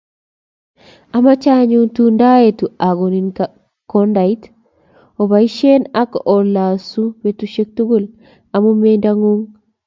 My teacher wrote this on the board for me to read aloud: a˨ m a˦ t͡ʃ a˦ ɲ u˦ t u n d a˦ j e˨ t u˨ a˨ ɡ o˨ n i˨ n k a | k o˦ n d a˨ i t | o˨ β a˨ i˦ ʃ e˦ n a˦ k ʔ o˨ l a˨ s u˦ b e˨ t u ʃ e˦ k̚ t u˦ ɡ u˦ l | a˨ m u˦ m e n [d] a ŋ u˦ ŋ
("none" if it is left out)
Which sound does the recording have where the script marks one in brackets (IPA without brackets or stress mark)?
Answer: d